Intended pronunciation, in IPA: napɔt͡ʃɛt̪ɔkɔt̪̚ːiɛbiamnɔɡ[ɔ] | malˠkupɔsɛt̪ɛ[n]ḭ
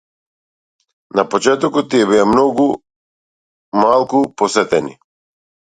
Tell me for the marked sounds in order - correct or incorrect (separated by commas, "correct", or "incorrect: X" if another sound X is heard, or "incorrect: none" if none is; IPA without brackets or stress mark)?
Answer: incorrect: u, correct